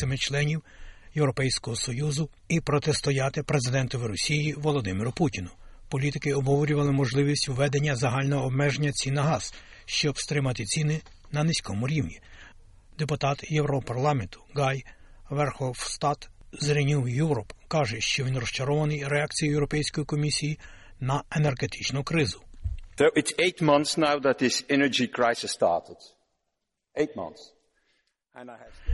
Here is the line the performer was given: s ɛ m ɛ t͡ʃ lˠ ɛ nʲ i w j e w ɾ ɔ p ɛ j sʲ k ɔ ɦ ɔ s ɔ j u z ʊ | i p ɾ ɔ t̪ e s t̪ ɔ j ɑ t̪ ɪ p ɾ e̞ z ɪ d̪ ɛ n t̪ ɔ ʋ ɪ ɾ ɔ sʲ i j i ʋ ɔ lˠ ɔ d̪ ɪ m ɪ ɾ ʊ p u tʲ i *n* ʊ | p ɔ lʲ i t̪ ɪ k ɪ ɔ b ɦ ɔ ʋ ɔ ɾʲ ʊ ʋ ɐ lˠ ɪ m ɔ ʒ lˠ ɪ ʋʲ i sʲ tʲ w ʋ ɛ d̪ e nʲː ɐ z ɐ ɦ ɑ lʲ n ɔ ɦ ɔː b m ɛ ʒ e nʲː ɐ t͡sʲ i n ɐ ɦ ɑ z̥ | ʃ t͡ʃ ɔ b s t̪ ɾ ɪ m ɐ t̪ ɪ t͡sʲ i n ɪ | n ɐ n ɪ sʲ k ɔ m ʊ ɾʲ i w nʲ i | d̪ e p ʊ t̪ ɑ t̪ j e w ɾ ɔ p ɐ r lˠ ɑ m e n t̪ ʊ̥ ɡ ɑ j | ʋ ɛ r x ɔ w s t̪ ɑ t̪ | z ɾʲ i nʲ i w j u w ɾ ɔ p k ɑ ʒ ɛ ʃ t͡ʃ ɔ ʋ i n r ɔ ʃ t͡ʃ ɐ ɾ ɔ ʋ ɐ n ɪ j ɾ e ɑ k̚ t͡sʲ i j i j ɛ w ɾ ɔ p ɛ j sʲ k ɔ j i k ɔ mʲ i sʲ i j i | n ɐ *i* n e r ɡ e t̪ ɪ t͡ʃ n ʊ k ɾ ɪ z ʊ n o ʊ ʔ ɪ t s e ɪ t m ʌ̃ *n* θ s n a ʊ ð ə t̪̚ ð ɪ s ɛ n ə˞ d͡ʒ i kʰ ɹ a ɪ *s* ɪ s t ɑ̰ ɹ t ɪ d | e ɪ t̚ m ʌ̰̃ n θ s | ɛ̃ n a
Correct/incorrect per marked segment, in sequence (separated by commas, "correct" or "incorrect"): correct, incorrect, correct, correct